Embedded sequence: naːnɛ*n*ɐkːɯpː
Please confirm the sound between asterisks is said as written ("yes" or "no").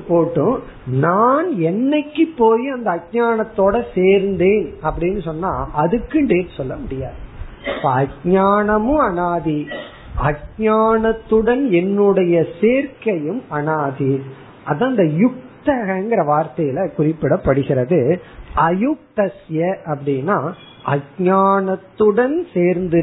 no